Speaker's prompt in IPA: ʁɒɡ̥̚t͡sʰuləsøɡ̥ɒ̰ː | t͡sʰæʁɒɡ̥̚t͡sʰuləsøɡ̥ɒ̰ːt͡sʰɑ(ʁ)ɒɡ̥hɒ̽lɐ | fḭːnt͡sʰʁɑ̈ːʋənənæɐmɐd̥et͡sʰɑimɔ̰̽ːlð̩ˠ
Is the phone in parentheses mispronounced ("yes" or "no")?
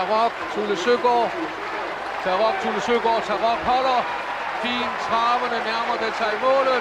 no